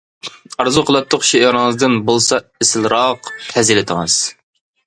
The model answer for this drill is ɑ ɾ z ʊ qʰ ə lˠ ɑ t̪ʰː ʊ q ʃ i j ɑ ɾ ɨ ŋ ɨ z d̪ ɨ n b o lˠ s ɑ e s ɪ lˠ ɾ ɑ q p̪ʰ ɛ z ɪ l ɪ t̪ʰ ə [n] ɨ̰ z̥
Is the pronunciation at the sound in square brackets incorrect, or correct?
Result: incorrect: ŋ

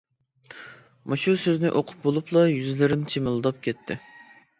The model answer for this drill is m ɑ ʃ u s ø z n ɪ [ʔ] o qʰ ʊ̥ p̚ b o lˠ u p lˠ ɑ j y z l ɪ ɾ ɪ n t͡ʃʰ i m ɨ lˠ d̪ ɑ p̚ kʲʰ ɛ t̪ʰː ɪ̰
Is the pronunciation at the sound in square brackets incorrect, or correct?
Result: correct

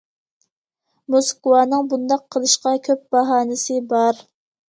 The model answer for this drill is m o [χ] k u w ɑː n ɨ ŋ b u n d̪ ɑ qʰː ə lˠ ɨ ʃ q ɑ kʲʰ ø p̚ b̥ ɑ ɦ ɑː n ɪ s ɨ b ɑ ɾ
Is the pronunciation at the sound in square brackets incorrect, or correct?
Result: incorrect: s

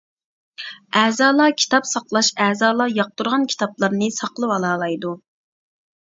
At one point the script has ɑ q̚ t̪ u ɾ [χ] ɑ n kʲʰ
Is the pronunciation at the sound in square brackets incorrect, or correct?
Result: incorrect: ʁ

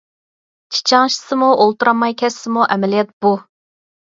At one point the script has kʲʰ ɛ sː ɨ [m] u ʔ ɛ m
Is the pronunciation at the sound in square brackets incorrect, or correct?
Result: correct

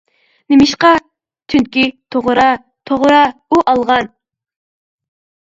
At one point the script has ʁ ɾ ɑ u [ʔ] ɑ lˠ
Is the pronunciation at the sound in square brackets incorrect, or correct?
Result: correct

